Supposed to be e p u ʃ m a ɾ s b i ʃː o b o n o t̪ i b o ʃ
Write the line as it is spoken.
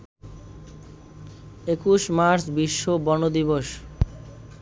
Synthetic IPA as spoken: e k u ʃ m a ɾ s b i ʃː o b ɔ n o d̪ i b o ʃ